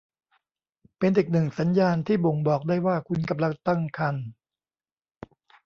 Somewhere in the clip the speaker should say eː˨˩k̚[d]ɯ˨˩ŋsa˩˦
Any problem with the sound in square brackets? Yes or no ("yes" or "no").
yes